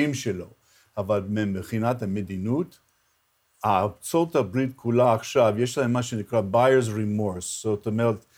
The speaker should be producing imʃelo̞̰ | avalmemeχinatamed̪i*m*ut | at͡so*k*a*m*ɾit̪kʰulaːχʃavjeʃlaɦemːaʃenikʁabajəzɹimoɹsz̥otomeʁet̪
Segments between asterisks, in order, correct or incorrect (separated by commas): incorrect, incorrect, incorrect